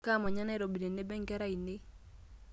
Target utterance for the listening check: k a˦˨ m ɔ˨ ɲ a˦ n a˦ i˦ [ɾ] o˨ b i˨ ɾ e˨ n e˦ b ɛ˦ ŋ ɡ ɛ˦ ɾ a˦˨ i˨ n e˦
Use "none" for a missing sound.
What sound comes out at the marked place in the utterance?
ɾ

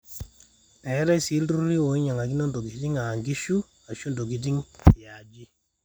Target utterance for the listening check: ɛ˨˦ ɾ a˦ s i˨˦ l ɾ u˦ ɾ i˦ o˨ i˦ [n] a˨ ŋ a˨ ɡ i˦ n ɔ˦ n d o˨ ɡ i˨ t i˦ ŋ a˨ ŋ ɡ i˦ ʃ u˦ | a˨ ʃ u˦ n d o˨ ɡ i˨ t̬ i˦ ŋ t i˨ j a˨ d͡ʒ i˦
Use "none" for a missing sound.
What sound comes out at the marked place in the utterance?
ɲ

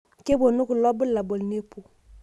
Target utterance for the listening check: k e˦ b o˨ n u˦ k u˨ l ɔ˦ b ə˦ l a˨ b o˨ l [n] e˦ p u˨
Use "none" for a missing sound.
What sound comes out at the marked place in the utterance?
n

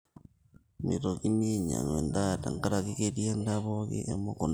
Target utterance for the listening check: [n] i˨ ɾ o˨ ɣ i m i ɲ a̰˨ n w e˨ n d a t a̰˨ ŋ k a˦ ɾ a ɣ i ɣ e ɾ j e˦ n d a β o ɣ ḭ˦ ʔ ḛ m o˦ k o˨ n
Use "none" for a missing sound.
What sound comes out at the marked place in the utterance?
m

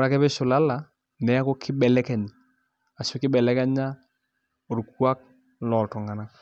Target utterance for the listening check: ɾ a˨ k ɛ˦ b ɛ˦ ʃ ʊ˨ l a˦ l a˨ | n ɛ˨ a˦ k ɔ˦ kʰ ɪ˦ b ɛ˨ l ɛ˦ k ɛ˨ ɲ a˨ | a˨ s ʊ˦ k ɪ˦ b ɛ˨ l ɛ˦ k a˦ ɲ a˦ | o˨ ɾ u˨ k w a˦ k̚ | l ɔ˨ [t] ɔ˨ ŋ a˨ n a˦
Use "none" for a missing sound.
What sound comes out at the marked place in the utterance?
t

